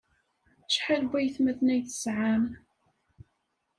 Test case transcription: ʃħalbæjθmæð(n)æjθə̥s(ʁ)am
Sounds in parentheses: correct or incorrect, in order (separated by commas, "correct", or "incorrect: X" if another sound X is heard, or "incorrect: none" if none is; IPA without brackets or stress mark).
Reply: correct, incorrect: ʕ